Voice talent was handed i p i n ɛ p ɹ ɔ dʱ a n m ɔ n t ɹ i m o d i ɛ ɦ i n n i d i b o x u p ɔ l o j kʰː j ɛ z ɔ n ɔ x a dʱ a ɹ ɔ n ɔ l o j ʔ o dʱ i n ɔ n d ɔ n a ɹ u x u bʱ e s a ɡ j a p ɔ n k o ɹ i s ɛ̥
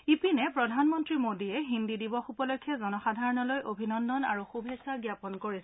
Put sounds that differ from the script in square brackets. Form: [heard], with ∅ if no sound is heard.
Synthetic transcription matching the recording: i p i n ɛ p ɹ ɔ dʱ a n m ɔ n t ɹ i m o d i ɛ ɦ i n [d] i d i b [ɔ] x u p ɔ l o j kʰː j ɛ z ɔ n ɔ x a dʱ a ɹ ɔ n ɔ l o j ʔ o [bʱ] i n ɔ n d ɔ n a ɹ u x u bʱ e s a ɡ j a p ɔ n k o ɹ i s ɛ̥